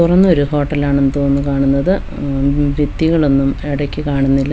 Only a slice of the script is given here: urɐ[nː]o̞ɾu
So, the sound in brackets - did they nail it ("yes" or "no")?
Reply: yes